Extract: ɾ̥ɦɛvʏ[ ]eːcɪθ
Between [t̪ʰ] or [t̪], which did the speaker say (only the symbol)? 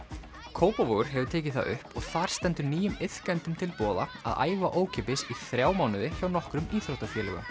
t̪ʰ